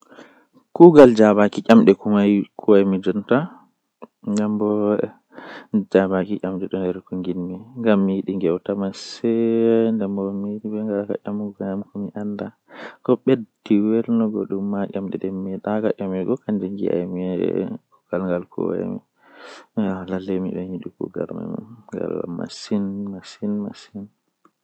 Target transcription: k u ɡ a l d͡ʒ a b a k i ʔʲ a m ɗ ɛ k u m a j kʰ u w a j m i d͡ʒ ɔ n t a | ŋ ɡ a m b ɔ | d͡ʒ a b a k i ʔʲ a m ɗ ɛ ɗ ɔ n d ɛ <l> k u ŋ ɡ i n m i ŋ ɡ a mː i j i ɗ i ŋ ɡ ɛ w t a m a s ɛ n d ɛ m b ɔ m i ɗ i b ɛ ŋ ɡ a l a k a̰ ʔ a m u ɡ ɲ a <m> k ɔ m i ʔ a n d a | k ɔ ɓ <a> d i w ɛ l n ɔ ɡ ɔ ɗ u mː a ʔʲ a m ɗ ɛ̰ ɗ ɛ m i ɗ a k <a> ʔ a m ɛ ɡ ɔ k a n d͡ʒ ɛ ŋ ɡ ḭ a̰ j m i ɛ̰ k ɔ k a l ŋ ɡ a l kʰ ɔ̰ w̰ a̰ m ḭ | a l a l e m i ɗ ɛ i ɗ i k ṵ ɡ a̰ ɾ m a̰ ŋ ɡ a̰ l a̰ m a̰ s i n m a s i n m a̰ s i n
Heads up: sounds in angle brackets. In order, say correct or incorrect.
incorrect, correct, incorrect, correct

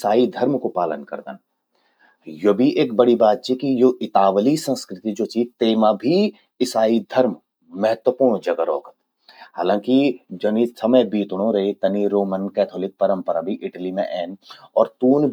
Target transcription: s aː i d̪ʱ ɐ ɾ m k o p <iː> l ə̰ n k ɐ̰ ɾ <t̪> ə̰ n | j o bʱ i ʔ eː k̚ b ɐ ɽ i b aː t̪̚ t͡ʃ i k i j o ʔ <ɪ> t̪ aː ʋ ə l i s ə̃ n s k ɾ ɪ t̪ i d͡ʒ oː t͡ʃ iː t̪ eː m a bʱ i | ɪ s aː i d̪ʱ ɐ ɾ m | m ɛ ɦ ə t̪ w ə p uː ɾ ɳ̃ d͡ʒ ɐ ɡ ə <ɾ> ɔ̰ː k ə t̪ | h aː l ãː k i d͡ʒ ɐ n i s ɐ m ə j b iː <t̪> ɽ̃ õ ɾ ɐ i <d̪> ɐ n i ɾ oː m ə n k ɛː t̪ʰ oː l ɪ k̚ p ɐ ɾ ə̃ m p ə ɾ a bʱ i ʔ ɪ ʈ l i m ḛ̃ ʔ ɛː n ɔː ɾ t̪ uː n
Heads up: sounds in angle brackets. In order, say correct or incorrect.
incorrect, incorrect, correct, correct, correct, incorrect

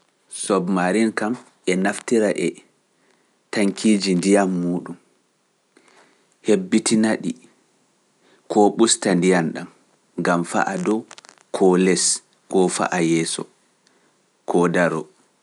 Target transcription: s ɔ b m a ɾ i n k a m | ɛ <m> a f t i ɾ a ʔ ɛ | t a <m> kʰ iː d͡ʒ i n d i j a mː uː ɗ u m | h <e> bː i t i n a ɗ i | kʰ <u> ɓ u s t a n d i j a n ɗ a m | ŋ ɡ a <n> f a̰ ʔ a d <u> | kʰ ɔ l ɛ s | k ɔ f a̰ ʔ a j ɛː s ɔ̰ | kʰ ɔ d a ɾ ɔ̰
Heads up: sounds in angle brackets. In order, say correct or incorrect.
incorrect, incorrect, correct, incorrect, incorrect, incorrect

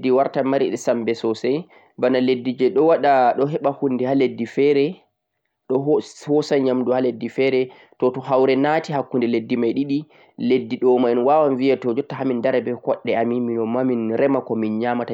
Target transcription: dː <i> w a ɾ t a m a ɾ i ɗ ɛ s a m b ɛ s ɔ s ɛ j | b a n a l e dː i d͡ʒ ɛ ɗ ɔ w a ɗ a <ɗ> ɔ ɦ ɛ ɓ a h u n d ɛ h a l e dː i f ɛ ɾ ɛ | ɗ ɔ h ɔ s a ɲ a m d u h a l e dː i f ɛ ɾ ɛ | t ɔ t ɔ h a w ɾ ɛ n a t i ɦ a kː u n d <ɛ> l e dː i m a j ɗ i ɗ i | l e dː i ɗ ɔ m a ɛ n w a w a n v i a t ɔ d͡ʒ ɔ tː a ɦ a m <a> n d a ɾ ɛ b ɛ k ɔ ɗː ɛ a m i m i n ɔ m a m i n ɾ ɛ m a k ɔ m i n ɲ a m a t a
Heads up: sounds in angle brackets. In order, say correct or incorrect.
correct, correct, correct, incorrect

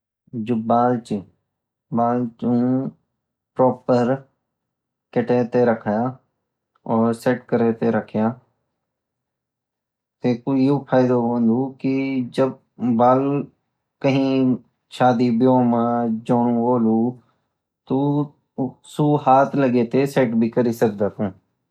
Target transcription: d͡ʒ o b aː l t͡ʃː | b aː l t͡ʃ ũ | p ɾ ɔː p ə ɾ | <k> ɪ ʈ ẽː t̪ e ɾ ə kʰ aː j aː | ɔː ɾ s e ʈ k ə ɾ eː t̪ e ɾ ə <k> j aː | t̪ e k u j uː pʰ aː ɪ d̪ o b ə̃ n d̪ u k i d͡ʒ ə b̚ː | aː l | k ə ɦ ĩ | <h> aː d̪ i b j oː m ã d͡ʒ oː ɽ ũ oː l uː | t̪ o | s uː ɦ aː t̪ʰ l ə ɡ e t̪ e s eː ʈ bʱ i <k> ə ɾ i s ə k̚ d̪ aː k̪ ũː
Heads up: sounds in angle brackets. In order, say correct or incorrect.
correct, incorrect, incorrect, correct

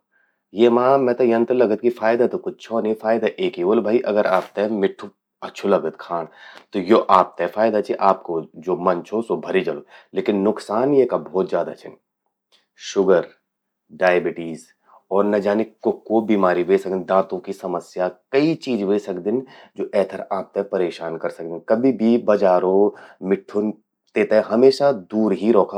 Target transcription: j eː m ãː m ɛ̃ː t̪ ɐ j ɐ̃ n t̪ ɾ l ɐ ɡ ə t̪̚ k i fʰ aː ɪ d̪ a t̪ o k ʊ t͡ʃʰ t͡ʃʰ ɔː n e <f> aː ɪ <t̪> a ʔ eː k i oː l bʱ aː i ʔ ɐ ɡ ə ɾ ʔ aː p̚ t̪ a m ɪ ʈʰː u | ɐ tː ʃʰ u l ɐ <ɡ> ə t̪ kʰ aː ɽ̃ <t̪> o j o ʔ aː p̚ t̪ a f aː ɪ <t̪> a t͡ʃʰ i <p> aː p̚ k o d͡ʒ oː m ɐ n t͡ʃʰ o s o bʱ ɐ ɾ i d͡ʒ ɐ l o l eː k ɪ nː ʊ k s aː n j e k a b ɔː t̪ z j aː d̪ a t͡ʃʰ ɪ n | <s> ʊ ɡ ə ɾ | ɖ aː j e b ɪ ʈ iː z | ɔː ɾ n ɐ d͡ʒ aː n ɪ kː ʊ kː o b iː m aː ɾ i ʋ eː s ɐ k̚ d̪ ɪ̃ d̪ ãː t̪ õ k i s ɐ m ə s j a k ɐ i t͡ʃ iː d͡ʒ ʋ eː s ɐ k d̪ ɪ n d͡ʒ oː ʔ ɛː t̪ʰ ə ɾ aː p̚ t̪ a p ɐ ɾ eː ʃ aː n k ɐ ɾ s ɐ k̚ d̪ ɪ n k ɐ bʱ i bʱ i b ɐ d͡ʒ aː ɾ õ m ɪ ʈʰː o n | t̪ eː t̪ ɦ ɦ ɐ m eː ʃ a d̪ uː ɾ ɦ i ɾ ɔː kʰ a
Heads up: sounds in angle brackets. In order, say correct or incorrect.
correct, incorrect, correct, correct, incorrect, incorrect, incorrect

